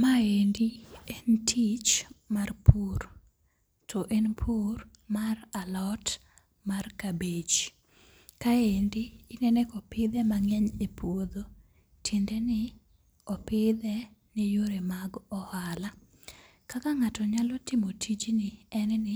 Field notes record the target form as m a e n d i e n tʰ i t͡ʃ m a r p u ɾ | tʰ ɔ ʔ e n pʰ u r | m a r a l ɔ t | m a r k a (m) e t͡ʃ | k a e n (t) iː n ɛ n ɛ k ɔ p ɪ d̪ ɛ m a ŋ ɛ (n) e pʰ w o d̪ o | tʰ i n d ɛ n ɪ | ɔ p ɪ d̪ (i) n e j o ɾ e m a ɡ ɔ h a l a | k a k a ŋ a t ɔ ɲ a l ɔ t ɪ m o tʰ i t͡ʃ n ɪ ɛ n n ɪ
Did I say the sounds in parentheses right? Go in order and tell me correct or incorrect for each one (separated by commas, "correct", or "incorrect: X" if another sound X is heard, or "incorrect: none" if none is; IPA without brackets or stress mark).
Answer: incorrect: b, incorrect: d, incorrect: ɲ, incorrect: ɛ